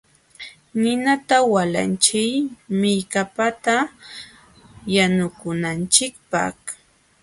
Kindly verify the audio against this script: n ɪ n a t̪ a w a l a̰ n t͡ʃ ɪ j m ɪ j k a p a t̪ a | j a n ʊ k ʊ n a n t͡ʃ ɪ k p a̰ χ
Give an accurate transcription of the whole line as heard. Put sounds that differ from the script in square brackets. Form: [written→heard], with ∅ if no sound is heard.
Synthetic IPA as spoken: n ɪ n a t̪ a w a l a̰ n t͡ʃ ɪ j m ɪ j k a p a t̪ a | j a n ʊ k ʊ n a n t͡ʃ ɪ k p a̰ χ